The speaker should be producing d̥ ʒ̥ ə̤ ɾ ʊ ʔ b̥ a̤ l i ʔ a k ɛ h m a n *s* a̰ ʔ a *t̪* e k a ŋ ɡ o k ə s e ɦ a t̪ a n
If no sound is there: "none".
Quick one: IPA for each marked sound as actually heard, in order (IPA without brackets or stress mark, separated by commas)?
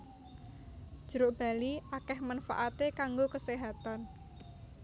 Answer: f, t̪